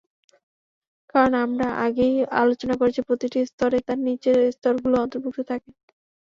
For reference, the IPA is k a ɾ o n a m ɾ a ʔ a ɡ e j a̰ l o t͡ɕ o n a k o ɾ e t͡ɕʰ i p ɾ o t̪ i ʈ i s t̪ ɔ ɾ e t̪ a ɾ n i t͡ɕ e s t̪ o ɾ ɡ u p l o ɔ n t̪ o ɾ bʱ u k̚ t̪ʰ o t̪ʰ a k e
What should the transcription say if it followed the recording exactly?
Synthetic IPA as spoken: k a ɾ o n a m ɾ a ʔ a ɡ e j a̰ l o t͡ɕ o n a k o ɾ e t͡ɕʰ i p ɾ o t̪ i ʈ i s t̪ ɔ ɾ e t̪ a ɾ n i t͡ɕ e s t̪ ɔ ɾ ɡ u l o ɔ n t̪ o ɾ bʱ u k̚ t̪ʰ o t̪ʰ a k e